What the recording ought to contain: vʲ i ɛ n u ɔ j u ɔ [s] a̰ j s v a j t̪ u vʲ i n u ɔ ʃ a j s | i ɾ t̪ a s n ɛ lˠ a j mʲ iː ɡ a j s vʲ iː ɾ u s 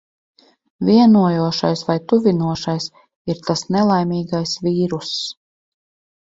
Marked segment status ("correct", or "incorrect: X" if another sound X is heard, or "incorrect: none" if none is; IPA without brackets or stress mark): incorrect: ʃ